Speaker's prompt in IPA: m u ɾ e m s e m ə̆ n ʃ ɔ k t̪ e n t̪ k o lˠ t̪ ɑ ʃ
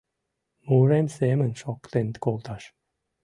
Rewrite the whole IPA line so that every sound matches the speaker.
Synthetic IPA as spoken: m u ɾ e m s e m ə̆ n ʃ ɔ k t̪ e n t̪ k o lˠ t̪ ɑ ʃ